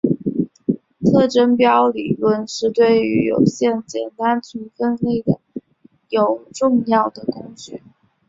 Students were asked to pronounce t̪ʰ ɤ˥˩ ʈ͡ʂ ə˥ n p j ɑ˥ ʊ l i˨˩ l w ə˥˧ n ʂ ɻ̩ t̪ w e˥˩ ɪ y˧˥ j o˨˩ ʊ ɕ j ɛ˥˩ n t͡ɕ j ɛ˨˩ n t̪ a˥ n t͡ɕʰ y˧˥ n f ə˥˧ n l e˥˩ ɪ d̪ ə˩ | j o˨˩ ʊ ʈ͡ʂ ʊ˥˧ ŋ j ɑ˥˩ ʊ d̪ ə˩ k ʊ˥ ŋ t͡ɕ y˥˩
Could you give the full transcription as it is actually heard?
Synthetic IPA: t̪ʰ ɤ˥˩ ʈ͡ʂ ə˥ n p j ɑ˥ ʊ l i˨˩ l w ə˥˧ n ʂ ɻ̩ t̪ w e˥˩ ɪ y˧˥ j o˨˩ ʊ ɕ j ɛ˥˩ n t͡ɕ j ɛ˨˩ n t̪ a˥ n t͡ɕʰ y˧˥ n f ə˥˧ n l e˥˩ ɪ d̪ ə˩ | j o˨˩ ʊ ʈ͡ʂ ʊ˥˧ ŋ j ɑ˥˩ ʊ d̪ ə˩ k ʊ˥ ŋ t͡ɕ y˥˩